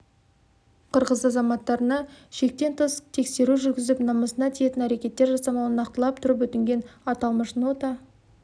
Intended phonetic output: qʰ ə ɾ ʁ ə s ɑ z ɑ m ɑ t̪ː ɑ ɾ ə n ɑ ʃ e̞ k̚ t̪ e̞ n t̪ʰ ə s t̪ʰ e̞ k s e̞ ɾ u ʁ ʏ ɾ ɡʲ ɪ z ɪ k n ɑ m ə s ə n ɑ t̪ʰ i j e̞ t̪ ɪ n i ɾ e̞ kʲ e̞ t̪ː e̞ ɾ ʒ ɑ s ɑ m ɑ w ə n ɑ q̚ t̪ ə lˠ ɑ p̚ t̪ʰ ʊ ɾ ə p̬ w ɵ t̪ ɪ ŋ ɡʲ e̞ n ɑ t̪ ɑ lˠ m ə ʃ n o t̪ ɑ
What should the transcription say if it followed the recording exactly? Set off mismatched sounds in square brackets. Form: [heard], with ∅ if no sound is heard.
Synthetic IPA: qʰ ə ɾ ʁ ə [z] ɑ z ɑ m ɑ t̪ː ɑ ɾ ə n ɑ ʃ e̞ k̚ t̪ e̞ n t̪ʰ ə s t̪ʰ e̞ k s e̞ ɾ u [ʒ] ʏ ɾ ɡʲ ɪ z ɪ [p] n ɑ m ə s ə n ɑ t̪ʰ i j e̞ t̪ ɪ n [æ] ɾ e̞ kʲ e̞ t̪ː e̞ ɾ ʒ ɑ s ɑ m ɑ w ə n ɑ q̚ t̪ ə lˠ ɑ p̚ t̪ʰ ʊ ɾ ə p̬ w ɵ t̪ ɪ ŋ ɡʲ e̞ n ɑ t̪ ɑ lˠ m ə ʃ n o t̪ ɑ